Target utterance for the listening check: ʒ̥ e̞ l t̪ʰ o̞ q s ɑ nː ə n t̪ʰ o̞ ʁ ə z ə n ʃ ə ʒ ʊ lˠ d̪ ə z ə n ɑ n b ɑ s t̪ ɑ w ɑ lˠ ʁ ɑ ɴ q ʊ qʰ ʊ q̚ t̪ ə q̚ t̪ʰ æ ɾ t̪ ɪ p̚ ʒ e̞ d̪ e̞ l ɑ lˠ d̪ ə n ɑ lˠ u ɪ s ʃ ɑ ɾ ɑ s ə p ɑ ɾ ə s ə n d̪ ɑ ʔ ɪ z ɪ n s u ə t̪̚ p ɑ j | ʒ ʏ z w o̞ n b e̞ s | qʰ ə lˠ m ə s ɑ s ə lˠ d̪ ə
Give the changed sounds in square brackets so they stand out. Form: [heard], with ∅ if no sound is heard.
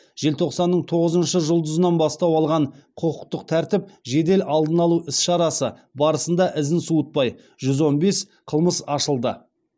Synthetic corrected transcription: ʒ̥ e̞ l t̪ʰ o̞ q s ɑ nː ə [ɴ] t̪ʰ o̞ ʁ ə z ə n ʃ ə ʒ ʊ lˠ d̪ ə z ə n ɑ n b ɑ s t̪ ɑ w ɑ lˠ ʁ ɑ ɴ [qʰ] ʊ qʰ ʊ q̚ t̪ ə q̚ t̪ʰ æ ɾ t̪ ɪ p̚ ʒ e̞ d̪ e̞ l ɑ lˠ d̪ ə n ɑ lˠ u ɪ s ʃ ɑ ɾ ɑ s ə [b] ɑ ɾ ə s ə n d̪ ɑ ʔ ɪ z ɪ n s u ə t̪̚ p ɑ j | ʒ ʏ z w o̞ n b e̞ s | qʰ ə lˠ m ə s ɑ [ʃ] ə lˠ d̪ ə